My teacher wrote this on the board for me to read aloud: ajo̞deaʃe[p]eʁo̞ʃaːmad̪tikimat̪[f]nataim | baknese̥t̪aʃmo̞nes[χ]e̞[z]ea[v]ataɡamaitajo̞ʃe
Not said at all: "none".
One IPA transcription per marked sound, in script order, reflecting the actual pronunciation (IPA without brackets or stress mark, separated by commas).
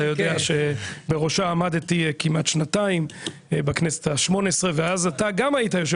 b, ʃ, ʁ, v, z